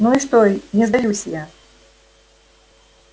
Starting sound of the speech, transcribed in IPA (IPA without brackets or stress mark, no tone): n